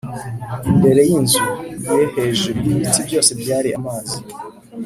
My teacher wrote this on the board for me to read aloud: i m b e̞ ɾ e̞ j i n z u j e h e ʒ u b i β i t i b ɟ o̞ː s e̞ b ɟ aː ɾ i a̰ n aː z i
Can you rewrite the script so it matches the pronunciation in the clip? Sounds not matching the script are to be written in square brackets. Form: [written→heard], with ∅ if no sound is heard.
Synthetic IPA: i m b e̞ ɾ e̞ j i n z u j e h e ʒ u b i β i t i b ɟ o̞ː s e̞ b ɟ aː ɾ i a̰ [n→m] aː z i

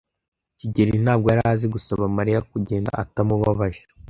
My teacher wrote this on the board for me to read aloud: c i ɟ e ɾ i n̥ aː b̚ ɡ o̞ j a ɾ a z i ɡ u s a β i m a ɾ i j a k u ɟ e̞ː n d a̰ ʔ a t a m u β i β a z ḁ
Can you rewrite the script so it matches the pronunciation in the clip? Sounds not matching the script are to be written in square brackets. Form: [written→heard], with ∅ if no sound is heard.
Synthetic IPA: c i ɟ e ɾ i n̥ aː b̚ ɡ o̞ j a ɾ a z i ɡ u s a β [i→a] m a ɾ i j a k u ɟ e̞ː n d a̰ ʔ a t a m u β [i→a] β a [z→ʒ] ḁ

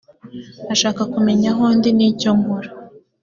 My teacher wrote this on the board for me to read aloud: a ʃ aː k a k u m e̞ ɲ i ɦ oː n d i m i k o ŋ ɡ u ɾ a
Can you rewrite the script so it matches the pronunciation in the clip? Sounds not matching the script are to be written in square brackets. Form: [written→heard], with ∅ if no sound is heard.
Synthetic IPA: a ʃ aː k a k u m e̞ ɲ [i→a] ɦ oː n d i [m→n] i [k→c] o ŋ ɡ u ɾ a

